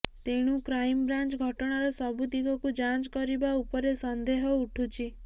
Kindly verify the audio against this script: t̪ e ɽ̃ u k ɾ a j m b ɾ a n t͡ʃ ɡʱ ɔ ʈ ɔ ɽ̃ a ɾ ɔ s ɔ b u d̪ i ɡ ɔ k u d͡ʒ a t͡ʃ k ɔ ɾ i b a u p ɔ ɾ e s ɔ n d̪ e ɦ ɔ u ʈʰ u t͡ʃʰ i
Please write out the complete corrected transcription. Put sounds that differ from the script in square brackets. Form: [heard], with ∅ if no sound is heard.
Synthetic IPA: t̪ e ɽ̃ u k ɾ a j m b ɾ a n t͡ʃ ɡʱ ɔ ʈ ɔ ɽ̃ a ɾ ɔ s ɔ b u d̪ i ɡ ɔ k u d͡ʒ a t͡ʃ k ɔ ɾ i b a u p ɔ ɾ e s ɔ n d̪ e ɦ ɔ u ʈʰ u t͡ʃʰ i